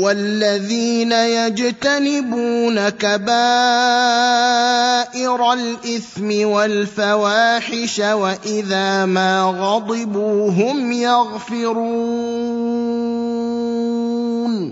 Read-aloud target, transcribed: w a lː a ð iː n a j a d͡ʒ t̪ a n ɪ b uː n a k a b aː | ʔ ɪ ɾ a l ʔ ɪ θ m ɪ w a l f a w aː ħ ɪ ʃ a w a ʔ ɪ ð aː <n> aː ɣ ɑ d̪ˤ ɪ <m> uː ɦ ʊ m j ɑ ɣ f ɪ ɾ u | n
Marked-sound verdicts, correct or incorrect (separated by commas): incorrect, incorrect